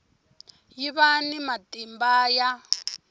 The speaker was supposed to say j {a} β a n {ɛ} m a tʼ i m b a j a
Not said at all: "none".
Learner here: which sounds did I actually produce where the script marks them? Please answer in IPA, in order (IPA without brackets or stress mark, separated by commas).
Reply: i, i